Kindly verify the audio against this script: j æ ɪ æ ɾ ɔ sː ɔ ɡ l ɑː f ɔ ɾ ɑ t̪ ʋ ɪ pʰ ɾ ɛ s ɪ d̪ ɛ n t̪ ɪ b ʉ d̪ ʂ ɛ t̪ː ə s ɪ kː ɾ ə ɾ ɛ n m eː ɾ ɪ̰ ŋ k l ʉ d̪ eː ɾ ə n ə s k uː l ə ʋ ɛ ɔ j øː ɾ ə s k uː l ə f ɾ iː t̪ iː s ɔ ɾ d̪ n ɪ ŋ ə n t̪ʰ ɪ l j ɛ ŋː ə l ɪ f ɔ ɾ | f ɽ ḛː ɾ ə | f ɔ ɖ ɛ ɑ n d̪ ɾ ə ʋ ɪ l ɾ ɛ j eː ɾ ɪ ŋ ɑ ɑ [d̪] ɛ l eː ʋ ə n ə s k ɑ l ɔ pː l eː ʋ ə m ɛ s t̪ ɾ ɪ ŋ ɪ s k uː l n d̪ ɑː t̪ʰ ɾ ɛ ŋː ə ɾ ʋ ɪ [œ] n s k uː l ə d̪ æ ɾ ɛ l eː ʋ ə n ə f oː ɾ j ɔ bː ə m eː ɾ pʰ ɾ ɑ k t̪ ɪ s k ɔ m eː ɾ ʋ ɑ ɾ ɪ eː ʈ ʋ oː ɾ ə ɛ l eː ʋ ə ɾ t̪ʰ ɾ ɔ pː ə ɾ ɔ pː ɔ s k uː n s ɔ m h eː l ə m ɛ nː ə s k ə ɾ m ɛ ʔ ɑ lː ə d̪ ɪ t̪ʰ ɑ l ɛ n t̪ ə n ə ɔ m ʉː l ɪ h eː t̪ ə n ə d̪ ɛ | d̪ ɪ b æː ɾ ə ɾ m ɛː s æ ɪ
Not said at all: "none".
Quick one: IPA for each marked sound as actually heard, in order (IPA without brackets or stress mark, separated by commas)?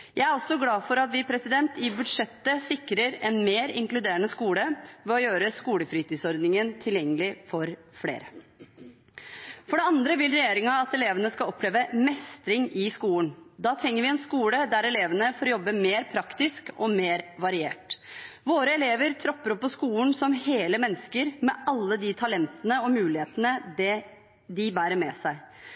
t̪, ɛ